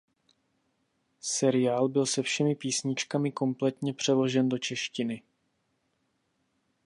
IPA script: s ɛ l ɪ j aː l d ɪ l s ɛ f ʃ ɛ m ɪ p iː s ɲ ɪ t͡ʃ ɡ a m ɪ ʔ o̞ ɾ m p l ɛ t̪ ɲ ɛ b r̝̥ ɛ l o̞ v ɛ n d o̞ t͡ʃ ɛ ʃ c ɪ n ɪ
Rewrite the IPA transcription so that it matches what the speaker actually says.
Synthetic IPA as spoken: s ɛ ɾ ɪ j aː l b ɪ l s ɛ f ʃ ɛ m ɪ p iː s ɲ ɪ t͡ʃ k a m ɪ k o̞ m p l ɛ t̪ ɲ ɛ p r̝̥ ɛ l o̞ ʒ ɛ n d o̞ t͡ʃ ɛ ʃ c ɪ n ɪ